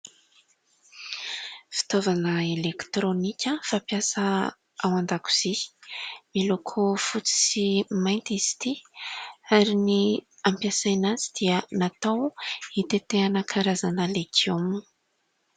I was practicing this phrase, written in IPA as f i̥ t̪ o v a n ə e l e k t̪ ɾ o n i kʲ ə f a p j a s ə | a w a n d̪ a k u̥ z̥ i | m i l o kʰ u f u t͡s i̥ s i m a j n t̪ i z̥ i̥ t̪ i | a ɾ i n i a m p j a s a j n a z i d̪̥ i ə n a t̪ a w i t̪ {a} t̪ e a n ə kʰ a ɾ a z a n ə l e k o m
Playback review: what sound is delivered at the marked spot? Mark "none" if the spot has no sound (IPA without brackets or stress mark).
e